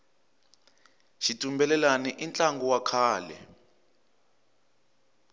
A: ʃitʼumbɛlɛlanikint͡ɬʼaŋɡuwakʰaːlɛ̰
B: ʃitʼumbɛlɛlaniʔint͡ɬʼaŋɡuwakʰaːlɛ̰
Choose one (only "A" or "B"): B